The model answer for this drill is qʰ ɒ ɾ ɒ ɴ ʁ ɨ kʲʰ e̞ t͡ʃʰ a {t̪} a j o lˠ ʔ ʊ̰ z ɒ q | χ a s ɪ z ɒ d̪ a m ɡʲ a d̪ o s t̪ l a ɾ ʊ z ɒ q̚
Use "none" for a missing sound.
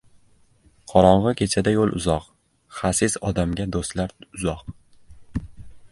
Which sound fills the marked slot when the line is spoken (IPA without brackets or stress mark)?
d̪